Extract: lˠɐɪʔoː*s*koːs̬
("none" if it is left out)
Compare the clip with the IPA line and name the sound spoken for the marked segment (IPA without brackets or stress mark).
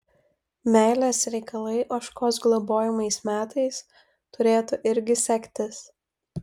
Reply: ʃ